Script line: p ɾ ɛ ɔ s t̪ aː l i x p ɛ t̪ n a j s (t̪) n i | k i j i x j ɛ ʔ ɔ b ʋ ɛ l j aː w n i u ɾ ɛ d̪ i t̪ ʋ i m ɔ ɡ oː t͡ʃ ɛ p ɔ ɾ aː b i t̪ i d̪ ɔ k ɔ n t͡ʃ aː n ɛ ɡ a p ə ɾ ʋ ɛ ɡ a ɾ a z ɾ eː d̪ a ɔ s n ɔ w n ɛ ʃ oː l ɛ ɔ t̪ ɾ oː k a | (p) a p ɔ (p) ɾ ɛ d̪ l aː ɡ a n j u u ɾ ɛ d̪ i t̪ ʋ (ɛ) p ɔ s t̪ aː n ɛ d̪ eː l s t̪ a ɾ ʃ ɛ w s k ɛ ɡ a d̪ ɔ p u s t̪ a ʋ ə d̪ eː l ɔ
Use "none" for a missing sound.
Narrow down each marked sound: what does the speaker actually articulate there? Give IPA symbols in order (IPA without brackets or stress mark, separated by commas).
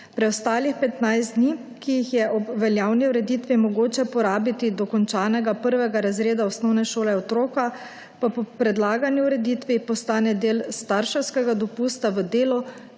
d̪, p, p, i